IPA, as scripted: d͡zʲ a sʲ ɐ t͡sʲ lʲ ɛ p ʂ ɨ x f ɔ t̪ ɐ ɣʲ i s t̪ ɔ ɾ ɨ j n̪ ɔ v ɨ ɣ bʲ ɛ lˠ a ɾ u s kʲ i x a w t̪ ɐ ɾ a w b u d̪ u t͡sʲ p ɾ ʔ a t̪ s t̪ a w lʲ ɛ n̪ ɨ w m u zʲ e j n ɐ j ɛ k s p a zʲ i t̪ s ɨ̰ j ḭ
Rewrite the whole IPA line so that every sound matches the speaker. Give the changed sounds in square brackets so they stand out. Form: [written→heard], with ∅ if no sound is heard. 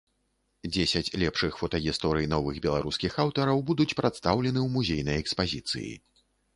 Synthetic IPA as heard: d͡zʲ [a→e] sʲ ɐ t͡sʲ lʲ ɛ p ʂ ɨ x f ɔ t̪ ɐ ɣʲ i s t̪ ɔ ɾ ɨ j n̪ ɔ v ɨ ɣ bʲ ɛ lˠ a ɾ u s kʲ i x a w t̪ ɐ ɾ [a→ɐ] w b u d̪ u t͡sʲ p ɾ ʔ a t̪ s t̪ a w lʲ ɛ n̪ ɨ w m u zʲ e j n ɐ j ɛ k s p a zʲ i t̪ s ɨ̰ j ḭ